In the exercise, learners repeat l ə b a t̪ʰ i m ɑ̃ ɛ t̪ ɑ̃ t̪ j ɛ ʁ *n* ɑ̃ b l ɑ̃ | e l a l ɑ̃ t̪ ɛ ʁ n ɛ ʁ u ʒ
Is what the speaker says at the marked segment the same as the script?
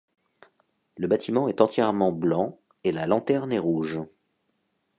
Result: no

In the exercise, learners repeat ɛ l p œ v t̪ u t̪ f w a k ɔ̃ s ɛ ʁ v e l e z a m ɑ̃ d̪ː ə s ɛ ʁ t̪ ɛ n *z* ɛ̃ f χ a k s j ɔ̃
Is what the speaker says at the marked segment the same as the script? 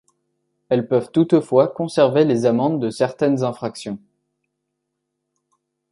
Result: yes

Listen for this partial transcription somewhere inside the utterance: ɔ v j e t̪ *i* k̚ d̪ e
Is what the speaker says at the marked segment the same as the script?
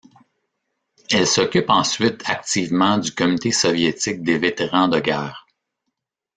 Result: no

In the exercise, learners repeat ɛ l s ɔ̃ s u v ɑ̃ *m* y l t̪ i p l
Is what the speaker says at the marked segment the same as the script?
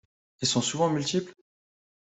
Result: yes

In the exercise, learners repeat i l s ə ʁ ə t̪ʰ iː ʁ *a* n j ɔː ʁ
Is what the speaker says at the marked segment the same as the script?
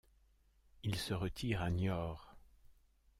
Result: yes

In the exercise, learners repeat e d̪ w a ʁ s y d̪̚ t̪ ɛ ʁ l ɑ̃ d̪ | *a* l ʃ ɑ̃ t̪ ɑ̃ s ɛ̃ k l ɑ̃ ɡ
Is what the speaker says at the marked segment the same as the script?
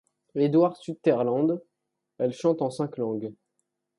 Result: no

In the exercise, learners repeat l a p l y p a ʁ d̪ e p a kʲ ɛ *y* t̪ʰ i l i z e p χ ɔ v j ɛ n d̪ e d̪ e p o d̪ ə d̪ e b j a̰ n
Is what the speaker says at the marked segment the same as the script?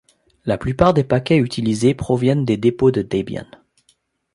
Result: yes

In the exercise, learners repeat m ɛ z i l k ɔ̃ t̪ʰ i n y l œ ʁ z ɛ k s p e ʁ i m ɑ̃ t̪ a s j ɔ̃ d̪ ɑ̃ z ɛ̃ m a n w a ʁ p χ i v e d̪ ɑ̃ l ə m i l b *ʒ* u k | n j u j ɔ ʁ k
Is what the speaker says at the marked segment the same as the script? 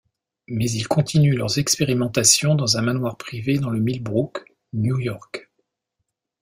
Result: no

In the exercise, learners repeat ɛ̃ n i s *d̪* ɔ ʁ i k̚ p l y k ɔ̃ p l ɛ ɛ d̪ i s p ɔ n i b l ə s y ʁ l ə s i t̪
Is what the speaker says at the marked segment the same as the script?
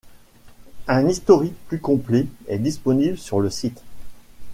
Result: no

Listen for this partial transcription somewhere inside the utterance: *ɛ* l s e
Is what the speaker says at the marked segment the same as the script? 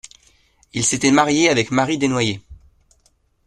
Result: no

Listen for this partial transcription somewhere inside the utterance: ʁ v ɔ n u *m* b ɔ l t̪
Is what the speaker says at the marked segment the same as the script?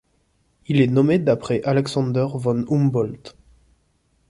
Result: yes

